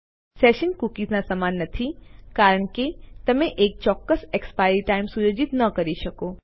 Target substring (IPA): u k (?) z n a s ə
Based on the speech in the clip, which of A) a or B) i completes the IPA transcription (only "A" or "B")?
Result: B